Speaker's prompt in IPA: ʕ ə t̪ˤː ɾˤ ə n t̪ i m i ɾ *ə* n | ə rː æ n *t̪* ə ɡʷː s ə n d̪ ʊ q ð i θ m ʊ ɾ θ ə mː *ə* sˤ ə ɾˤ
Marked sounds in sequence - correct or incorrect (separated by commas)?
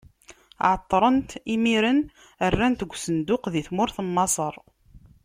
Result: correct, correct, incorrect